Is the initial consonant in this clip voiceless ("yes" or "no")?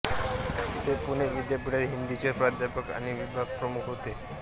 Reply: yes